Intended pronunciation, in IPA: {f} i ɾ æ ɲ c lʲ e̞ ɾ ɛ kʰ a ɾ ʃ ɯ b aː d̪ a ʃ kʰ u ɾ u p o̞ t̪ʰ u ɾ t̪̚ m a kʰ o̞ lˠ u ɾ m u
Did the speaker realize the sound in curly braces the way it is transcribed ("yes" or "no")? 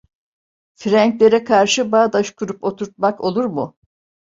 yes